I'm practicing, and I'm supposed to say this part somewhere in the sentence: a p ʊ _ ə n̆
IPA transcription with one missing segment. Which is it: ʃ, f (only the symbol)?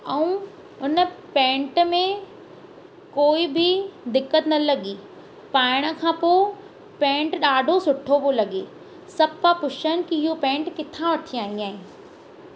ʃ